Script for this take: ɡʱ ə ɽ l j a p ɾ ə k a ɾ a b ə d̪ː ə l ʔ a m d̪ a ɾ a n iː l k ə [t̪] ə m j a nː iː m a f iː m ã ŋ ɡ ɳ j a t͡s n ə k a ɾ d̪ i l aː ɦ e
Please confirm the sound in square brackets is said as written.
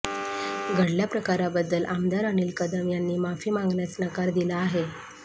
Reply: no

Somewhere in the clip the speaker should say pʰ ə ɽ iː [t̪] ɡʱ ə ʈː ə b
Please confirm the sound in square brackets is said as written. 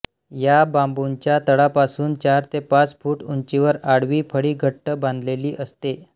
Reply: no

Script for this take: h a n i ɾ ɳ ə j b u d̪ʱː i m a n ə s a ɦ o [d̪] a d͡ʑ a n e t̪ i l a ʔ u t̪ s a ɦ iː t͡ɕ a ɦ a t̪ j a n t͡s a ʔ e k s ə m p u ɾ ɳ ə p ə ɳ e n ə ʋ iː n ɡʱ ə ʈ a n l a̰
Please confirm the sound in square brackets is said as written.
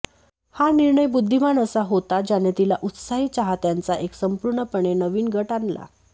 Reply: no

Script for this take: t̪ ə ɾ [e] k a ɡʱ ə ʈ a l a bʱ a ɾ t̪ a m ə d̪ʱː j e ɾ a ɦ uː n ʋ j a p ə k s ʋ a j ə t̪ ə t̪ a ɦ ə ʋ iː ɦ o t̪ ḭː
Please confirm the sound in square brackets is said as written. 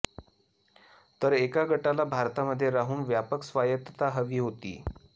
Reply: yes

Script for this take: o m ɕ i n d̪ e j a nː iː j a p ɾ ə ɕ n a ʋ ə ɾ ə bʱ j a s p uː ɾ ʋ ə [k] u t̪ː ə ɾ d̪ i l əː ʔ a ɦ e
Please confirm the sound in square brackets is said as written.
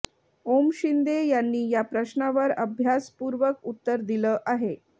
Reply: yes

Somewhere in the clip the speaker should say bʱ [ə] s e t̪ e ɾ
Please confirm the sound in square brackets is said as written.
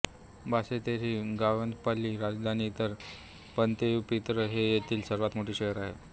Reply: no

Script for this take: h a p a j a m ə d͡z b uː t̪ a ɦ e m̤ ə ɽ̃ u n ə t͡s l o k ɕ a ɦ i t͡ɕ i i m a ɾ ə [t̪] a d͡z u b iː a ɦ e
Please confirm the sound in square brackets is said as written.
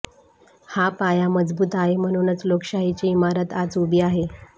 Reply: yes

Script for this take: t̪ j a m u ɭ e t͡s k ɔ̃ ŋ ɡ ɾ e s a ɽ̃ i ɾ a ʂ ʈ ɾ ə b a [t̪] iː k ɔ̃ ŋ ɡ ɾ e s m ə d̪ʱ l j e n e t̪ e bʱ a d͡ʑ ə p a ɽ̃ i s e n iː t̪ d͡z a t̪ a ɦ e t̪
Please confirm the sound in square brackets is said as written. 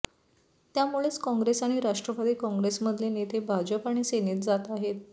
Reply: no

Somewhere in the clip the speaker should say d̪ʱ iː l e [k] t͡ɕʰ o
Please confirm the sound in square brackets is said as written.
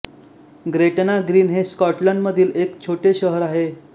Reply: yes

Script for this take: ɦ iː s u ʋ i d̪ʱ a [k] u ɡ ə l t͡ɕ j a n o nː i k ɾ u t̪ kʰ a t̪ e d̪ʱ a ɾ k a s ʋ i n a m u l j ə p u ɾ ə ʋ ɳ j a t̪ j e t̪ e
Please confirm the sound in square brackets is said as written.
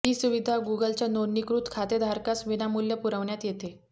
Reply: no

